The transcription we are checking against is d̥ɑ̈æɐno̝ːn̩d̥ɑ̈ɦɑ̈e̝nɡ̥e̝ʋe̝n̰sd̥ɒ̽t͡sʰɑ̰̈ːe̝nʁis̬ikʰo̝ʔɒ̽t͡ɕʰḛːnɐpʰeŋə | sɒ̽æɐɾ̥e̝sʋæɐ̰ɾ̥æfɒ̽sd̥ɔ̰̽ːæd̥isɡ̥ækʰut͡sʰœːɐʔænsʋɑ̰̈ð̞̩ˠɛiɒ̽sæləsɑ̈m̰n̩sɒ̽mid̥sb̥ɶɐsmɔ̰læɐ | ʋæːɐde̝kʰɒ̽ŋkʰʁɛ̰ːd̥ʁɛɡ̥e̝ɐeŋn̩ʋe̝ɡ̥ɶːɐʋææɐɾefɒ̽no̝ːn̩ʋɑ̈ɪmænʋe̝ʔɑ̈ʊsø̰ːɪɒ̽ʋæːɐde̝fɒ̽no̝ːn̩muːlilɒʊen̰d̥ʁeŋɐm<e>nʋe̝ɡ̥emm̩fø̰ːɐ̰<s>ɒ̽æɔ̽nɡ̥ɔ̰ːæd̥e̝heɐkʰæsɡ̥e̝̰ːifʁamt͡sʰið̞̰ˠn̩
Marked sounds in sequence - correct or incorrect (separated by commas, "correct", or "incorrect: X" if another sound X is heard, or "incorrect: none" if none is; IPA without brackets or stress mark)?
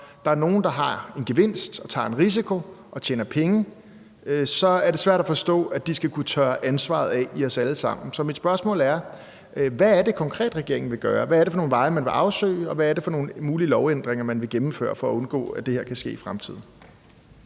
incorrect: æ, incorrect: f